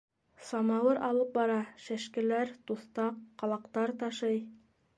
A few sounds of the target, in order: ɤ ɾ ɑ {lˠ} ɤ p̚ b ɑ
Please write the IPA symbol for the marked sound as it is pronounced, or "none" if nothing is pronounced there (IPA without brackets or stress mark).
lˠ